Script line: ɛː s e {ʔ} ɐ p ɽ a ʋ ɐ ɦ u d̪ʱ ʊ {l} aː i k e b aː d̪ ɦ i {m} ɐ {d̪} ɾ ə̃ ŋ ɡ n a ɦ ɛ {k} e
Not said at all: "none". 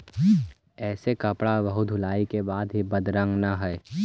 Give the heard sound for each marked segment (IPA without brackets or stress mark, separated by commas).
k, l, b, d̪, none